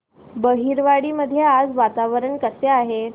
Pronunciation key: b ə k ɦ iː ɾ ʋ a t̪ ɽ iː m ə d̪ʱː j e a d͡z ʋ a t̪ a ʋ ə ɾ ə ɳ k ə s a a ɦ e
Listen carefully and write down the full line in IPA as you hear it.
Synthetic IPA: b ə ɦ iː ɾ ʋ a ɽ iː m ə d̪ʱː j e a d͡z ʋ a t̪ a ʋ ə ɾ ə ɳ k ə s e a ɦ e